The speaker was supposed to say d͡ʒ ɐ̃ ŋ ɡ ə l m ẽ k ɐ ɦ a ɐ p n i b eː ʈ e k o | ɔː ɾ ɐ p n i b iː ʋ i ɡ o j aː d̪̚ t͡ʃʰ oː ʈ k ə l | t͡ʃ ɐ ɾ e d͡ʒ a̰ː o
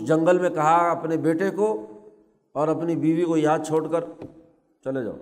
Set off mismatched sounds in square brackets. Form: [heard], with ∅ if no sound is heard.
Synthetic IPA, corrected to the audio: d͡ʒ ɐ̃ ŋ ɡ ə l m ẽ k ɐ ɦ a ɐ p n [e] b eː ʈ e k o | ɔː ɾ ɐ p n i b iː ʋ i [k] o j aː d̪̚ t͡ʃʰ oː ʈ k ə [ɾ] | t͡ʃ ɐ [l] e d͡ʒ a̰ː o